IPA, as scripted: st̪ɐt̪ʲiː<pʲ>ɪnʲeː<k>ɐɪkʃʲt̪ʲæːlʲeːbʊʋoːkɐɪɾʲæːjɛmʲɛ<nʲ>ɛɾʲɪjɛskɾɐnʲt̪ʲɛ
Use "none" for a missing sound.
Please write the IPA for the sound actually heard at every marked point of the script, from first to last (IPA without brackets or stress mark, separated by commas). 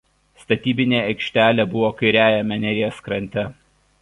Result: bʲ, none, nʲ